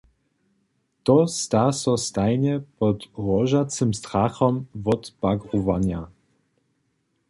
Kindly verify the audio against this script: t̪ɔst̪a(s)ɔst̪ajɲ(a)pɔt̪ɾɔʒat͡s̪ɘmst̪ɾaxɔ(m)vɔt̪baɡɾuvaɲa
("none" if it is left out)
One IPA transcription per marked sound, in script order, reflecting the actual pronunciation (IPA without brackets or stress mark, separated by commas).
s, ɛ, m